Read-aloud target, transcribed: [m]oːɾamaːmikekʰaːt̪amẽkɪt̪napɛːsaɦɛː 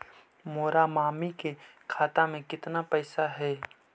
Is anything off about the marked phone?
no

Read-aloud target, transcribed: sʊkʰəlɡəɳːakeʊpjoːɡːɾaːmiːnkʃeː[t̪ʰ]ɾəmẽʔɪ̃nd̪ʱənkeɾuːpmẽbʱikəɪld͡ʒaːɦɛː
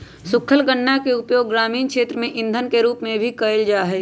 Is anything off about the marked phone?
yes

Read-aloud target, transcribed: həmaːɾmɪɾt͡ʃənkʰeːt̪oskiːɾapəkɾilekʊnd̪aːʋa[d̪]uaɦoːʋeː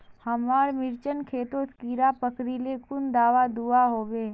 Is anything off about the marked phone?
no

